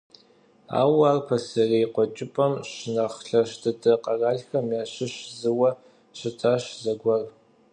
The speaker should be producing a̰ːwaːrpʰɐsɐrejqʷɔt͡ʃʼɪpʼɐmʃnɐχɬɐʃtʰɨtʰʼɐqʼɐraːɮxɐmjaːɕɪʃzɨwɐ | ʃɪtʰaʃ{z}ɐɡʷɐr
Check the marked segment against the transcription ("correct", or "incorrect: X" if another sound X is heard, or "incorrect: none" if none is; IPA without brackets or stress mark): correct